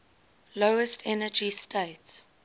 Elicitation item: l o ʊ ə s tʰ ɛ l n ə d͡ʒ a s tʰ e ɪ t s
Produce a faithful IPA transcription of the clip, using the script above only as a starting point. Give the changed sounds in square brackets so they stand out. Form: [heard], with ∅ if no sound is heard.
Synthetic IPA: l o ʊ ə s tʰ ɛ [∅] n ə d͡ʒ [i] s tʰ e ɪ t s